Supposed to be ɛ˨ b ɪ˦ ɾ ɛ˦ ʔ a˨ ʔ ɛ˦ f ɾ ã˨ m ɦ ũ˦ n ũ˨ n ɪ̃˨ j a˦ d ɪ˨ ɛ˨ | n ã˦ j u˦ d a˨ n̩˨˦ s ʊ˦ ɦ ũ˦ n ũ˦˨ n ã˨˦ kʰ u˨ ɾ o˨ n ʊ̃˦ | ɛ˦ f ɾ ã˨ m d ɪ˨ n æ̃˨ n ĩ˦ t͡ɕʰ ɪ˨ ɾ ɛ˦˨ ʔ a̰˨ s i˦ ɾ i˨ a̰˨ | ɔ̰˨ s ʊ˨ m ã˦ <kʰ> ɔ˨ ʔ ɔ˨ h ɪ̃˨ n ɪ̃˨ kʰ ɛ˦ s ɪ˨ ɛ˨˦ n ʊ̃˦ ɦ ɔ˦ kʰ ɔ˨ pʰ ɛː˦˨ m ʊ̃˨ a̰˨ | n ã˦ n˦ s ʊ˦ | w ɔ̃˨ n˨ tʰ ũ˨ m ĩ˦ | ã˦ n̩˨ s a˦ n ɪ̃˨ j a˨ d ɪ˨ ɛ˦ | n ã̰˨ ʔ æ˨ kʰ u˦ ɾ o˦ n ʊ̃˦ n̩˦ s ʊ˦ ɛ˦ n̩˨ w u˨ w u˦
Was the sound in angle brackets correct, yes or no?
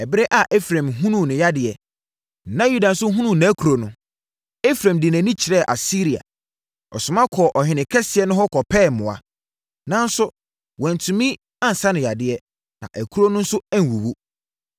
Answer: yes